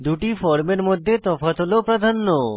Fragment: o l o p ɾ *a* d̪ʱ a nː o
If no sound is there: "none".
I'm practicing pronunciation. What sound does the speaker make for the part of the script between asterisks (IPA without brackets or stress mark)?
a